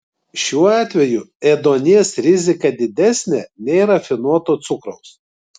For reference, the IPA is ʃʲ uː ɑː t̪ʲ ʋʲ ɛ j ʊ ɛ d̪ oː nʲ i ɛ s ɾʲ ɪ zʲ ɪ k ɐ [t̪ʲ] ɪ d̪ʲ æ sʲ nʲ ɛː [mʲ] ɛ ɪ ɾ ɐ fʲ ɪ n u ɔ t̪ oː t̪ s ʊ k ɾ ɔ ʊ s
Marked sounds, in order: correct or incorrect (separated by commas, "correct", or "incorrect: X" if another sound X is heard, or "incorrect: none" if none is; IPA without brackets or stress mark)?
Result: incorrect: d̪ʲ, incorrect: nʲ